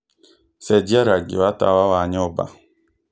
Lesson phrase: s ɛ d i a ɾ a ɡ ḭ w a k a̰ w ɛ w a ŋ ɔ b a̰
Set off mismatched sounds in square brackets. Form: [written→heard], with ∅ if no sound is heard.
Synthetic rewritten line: s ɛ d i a ɾ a ɡ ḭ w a [k→t] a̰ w [ɛ→a] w a [ŋ→ɲ] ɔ b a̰

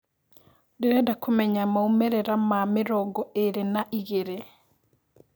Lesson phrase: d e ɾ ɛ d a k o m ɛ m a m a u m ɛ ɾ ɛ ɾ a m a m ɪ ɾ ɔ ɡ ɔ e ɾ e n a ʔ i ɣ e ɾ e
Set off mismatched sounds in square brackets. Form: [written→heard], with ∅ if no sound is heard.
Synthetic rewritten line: d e ɾ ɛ d a k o m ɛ [m→ɲ] a m a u m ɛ ɾ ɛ ɾ a m a m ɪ ɾ ɔ ɡ ɔ e ɾ e n a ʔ i ɣ e ɾ e

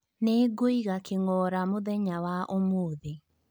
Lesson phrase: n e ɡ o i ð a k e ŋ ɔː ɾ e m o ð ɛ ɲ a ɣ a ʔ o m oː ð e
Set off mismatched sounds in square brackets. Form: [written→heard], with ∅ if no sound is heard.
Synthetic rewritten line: n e ɡ o i [ð→ɣ] a k e ŋ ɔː ɾ [e→a] m o ð ɛ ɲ a [ɣ→w] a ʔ o m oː ð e

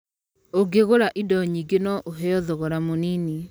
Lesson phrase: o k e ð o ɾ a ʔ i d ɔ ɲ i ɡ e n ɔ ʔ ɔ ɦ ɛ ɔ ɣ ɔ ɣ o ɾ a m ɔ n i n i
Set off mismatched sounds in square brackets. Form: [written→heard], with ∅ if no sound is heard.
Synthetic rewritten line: o [k→ɡ] e [ð→ɣ] o ɾ a ʔ i d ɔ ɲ i ɡ e n ɔ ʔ [ɔ→o] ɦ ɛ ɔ [ɣ→ð] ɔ ɣ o ɾ a m [ɔ→o] n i n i

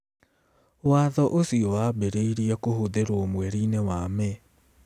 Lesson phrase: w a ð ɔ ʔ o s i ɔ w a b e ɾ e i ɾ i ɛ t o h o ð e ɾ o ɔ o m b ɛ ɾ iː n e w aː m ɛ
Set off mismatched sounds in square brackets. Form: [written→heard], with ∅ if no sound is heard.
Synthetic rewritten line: w a ð ɔ ʔ o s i ɔ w a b e ɾ e i ɾ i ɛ [t→k] o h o ð e ɾ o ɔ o m [b→w] ɛ ɾ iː n e w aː m ɛ

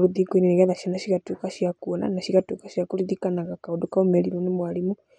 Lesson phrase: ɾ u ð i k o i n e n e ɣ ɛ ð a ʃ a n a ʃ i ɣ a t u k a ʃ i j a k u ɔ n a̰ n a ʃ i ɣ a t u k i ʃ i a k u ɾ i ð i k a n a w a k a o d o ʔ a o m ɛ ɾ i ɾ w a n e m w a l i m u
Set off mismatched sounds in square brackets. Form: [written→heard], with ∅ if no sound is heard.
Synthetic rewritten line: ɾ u ð i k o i n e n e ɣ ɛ ð a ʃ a n a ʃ i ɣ a t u k a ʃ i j a k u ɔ n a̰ n a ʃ i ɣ a t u k [i→a] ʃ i a k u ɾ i ð i k a n a [w→ɣ] a k a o d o [ʔ→k] a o m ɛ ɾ i ɾ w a n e m w a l i m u

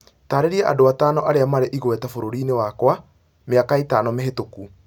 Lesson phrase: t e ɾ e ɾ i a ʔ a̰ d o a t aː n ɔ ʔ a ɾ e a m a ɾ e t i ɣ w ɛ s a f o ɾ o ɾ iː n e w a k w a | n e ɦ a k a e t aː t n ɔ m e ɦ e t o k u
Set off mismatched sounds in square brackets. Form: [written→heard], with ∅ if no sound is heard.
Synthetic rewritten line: t [e→a] ɾ e ɾ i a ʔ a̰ d o a t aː n ɔ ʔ a ɾ e a m a ɾ e [t→ʔ] i ɣ w ɛ [s→t] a f o ɾ o ɾ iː n e w a k w a | [n→m] e [ɦ→∅] a k a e t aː [t→∅] n ɔ m e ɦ e t o k u

